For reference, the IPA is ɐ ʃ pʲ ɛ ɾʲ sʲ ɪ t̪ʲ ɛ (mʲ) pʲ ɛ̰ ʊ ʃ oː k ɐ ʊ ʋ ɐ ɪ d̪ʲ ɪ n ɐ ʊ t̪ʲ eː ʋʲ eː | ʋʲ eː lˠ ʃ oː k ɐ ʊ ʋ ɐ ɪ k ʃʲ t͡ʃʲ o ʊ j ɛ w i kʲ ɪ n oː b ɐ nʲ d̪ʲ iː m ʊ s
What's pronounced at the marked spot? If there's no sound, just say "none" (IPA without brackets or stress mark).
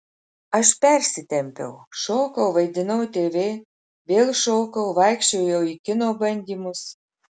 mʲ